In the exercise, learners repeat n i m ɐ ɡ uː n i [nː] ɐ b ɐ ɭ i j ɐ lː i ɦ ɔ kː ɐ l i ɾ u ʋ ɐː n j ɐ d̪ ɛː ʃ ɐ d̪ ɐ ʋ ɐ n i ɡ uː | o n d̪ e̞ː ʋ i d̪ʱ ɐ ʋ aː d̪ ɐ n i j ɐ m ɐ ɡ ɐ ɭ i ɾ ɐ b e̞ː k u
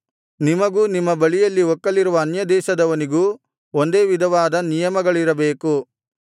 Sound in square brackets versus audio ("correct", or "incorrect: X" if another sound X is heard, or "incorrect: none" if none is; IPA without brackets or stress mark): incorrect: mː